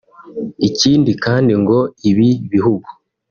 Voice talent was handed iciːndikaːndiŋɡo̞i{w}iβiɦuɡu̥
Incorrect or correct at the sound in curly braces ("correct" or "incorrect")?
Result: incorrect